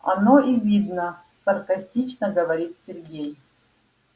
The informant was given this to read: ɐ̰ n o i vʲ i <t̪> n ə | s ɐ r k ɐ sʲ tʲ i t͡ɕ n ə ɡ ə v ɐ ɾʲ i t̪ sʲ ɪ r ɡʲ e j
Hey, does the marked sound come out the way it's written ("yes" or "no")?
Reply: no